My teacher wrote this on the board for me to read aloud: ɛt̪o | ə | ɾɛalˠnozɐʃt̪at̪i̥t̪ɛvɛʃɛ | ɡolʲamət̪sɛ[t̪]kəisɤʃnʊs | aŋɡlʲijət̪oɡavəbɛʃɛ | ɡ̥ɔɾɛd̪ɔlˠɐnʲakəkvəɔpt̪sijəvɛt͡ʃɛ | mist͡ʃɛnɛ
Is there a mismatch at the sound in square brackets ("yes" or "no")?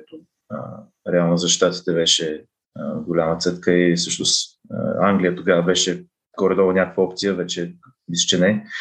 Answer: no